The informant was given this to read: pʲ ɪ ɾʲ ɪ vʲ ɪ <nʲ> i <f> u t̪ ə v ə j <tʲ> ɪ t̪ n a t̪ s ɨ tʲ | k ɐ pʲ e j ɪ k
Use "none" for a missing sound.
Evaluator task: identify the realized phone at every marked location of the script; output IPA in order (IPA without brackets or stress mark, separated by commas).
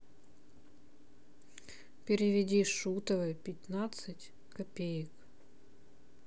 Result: dʲ, ʂ, pʲ